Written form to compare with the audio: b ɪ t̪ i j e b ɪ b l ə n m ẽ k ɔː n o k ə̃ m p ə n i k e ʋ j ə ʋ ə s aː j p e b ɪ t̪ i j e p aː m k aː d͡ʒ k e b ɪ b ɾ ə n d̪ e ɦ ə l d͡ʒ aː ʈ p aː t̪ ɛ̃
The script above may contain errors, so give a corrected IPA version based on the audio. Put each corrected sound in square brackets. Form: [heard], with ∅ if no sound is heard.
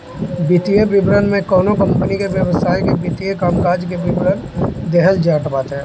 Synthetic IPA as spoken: b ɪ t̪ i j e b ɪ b [ɾ] ə n m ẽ k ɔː n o k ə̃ m p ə n i k e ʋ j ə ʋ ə s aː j [k] e b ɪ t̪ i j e [k] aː m k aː d͡ʒ k e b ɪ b ɾ ə n d̪ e ɦ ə l d͡ʒ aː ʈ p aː t̪ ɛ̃